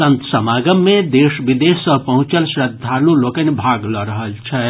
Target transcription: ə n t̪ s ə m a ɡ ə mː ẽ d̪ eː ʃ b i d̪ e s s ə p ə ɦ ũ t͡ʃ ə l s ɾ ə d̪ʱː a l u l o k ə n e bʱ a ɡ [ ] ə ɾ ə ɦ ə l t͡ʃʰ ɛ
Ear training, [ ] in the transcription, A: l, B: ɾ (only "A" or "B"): A